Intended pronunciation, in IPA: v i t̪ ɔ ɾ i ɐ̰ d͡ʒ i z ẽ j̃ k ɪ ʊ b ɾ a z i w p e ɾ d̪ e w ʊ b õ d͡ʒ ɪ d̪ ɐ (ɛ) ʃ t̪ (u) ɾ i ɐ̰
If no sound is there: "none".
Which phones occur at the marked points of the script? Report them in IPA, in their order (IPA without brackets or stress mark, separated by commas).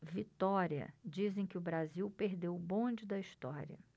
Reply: i, ɔ